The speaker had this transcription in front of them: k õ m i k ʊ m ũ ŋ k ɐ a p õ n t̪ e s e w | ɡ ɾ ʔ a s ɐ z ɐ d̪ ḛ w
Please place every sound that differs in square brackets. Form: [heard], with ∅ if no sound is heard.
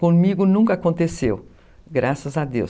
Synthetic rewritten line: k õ m i [ɡ] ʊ [n] ũ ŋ k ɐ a [k] õ n t̪ e s e w | ɡ ɾ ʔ a s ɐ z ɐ d̪ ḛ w

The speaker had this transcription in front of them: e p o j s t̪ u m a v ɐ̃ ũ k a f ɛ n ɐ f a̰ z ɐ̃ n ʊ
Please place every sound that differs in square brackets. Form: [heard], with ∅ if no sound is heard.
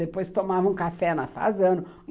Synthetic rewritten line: e p o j s t̪ [o] m a v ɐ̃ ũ k a f ɛ n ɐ f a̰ z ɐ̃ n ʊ

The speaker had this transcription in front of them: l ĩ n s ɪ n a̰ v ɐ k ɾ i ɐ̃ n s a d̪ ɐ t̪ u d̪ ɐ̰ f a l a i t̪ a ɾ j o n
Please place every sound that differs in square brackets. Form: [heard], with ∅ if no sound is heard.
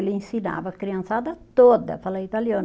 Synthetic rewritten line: l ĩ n s [i] n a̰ v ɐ k ɾ i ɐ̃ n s a d̪ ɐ t̪ [o] d̪ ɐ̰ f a l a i t̪ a [l] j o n

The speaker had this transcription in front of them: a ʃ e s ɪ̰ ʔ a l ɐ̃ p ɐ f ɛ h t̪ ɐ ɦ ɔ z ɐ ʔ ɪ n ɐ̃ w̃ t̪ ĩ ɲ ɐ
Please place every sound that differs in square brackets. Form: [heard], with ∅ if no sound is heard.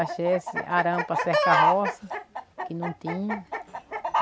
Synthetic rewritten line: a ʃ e s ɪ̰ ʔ a [ɾ] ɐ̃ p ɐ [s] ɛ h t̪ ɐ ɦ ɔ [s] ɐ [k] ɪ n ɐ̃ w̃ t̪ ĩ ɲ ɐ

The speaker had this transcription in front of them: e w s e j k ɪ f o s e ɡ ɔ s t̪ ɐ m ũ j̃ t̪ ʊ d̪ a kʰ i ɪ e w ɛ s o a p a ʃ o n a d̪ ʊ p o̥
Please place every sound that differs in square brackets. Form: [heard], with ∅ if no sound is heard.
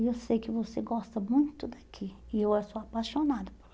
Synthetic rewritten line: e w s e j k ɪ [v] o s e ɡ ɔ s t̪ ɐ m ũ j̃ t̪ ʊ d̪ a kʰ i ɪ e w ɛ s o a p a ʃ o n a d̪ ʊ p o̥

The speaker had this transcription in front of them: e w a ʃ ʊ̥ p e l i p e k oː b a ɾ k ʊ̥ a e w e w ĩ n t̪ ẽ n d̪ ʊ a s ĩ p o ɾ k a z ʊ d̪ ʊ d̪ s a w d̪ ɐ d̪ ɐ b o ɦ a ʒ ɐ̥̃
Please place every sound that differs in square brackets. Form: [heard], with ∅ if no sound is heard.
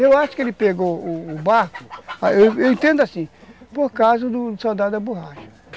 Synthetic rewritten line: e w a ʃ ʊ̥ [k] e l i p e [ɡ] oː b a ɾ k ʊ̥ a e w e w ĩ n t̪ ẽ n d̪ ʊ a s ĩ p o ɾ k a z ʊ d̪ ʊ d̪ s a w d̪ [a] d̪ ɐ b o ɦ a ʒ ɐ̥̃

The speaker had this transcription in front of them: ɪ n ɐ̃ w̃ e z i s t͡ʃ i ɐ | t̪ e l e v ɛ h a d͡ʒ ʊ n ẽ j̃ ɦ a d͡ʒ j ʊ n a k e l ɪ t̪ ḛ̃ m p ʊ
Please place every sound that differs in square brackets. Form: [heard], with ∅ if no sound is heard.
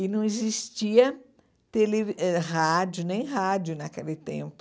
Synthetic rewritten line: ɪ n ɐ̃ w̃ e z i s t͡ʃ i ɐ | t̪ e l e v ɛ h a d͡ʒ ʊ n ẽ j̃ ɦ a d͡ʒ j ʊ n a k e l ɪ t̪ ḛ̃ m p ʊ

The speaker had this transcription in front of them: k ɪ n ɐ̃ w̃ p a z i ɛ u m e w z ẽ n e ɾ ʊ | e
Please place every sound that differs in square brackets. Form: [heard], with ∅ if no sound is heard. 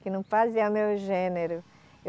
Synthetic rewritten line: k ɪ n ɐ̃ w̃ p a z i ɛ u m e w [ʒ] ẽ n e ɾ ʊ | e

